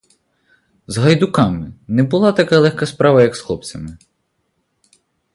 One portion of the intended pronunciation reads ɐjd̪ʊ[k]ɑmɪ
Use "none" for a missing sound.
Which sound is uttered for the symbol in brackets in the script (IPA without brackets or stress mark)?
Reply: k